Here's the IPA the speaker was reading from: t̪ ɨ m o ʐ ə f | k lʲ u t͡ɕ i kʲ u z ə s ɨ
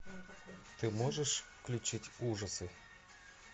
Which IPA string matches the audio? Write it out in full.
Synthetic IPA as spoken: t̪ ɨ m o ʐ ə ʂ | k lʲ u t͡ɕ i tʲ u ʐ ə s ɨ

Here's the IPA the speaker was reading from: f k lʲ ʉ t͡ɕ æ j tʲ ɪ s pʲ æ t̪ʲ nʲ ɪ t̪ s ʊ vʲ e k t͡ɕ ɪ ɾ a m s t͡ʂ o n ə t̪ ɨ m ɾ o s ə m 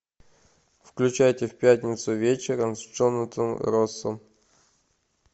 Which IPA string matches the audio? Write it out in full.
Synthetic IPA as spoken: f k lʲ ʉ t͡ɕ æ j tʲ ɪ f pʲ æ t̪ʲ nʲ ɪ t̪ s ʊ vʲ e t͡ɕ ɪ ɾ ə m s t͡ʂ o n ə t̪ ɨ m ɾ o s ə m

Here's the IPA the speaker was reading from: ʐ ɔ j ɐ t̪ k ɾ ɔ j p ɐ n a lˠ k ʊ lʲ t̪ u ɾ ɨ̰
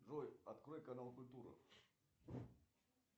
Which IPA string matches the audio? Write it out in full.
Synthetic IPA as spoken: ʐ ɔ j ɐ t̪ k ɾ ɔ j k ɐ n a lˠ k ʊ lʲ t̪ u ɾ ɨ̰

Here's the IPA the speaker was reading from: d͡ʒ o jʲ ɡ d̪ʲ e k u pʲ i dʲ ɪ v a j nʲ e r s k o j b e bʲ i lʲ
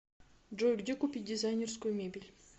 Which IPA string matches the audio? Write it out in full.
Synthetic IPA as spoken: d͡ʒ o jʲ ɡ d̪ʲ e k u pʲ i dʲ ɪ z a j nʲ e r s k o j m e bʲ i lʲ

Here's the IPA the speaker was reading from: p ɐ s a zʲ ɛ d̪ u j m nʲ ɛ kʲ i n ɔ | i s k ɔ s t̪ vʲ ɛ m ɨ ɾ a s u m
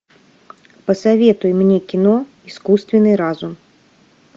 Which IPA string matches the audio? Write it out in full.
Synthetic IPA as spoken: p ɐ s a vʲ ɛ t̪ u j m nʲ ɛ kʲ i n ɔ | i s k u s t̪ vʲ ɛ n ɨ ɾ a z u m

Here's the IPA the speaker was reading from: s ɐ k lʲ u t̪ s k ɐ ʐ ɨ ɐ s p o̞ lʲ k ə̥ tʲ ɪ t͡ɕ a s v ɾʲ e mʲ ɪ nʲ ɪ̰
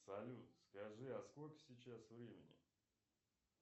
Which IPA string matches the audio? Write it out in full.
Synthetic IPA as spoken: s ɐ lʲ u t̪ s k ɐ ʐ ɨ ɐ s k o̞ lʲ k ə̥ sʲ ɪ t͡ɕ a s v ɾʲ e mʲ ɪ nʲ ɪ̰

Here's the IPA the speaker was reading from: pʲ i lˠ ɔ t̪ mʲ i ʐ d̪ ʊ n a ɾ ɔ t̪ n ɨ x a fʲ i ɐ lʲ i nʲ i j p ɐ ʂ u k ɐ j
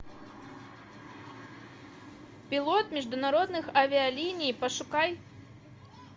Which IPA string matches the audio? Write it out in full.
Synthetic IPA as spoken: pʲ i lˠ ɔ t̪ mʲ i ʐ d̪ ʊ n a ɾ ɔ d̪ n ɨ x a vʲ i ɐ lʲ i nʲ i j p ɐ ʂ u k a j

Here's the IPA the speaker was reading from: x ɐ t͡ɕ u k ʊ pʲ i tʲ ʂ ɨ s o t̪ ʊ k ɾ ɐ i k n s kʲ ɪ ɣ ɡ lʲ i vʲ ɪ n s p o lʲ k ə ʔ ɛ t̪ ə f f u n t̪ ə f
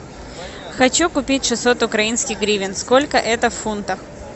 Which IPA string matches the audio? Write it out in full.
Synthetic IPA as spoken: x ɐ t͡ɕ u k ʊ pʲ i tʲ ʂ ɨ s o t̪ ʊ k ɾ ɐ i n s kʲ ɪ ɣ ɡ ɾʲ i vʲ ɪ n s k o lʲ k ə ʔ ɛ t̪ ə f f u n t̪ ə x

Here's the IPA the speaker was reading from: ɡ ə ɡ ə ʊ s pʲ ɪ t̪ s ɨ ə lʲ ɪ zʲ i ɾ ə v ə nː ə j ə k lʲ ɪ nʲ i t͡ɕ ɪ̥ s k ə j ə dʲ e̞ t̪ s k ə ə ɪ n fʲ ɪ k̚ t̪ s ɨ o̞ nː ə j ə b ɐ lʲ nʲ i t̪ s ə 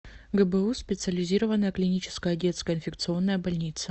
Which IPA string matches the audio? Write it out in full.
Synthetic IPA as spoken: ɡ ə b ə u s pʲ ɪ t̪ s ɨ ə lʲ ɪ zʲ i ɾ ə v ə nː ə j ə k lʲ ɪ nʲ i t͡ɕ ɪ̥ s k ə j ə dʲ e̞ t̪ s k ə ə ɪ n fʲ ɪ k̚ t̪ s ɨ o̞ nː ə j ə b ɐ lʲ nʲ i t̪ s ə

